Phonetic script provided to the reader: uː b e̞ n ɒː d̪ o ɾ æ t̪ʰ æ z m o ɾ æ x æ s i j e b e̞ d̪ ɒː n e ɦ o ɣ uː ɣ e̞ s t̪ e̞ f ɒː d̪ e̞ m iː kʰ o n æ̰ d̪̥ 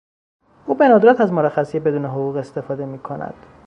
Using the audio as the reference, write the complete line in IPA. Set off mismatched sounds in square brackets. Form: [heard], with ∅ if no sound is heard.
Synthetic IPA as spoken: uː b e̞ n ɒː d̪ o ɾ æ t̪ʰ æ z m o ɾ æ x æ s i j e b e̞ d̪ [uː] n e ɦ o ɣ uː ɣ e̞ s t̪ e̞ f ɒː d̪ e̞ m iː kʰ o n æ̰ d̪̥